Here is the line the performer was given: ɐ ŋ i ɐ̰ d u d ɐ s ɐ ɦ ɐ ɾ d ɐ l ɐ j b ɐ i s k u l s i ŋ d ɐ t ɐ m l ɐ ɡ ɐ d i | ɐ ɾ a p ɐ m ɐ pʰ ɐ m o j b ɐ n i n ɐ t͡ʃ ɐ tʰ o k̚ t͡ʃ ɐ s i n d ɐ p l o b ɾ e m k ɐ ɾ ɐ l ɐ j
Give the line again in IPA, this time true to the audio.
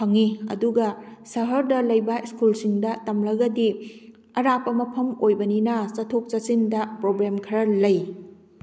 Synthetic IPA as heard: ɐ ŋ i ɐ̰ d u ɡ ɐ s ɐ ɦ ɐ ɾ d ɐ l ɐ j b ɐ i s k u l s i ŋ d ɐ t ɐ m l ɐ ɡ ɐ d i | ɐ ɾ a p ɐ m ɐ pʰ ɐ m o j b ɐ n i n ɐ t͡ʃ ɐ tʰ o k̚ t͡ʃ ɐ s i n d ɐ p ɾ o b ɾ e m kʰ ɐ ɾ ɐ l ɐ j